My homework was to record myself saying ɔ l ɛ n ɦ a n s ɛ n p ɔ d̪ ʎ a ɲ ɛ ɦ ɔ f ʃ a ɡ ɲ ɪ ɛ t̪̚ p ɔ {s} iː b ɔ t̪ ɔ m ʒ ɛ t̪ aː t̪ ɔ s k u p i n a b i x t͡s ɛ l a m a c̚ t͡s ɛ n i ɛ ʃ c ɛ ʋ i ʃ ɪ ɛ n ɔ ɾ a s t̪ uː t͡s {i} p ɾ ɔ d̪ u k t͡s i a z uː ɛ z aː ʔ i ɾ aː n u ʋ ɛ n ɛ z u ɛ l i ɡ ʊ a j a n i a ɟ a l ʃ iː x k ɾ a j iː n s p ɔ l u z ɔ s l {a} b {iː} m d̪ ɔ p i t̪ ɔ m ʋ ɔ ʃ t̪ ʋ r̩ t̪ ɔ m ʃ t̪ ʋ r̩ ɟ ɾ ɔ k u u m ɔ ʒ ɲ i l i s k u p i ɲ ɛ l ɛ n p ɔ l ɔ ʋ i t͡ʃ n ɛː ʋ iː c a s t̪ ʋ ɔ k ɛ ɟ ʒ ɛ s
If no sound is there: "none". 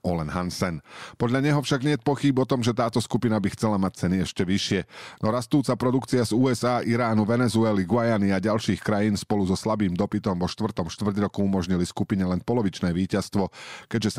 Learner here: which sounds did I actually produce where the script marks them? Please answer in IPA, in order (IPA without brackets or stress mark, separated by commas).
x, a, a, iː